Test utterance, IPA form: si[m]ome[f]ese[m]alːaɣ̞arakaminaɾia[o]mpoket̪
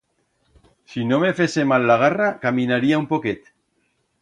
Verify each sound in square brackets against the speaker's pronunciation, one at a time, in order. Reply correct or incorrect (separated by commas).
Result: incorrect, correct, correct, incorrect